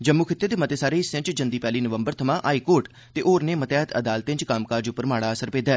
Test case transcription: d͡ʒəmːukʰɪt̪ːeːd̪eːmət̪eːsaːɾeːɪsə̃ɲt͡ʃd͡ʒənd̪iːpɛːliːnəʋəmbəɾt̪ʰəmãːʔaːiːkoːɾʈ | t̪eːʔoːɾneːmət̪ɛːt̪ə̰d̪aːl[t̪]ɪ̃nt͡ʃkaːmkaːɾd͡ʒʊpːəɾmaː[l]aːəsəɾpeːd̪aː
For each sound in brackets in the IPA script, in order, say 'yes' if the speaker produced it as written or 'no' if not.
yes, no

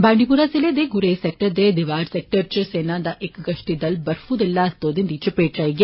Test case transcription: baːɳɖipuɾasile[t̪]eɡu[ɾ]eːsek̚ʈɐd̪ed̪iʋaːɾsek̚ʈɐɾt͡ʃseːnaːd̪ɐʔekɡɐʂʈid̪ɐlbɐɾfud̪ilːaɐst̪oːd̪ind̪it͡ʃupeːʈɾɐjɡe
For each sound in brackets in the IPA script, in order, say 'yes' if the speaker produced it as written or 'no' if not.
no, yes

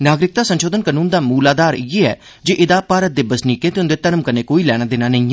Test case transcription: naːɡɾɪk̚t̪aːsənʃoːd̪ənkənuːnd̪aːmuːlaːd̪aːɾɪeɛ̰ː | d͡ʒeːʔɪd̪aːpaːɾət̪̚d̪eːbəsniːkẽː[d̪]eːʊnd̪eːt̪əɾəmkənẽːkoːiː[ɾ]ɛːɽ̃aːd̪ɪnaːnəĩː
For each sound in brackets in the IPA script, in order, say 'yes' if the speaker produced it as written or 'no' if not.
no, no

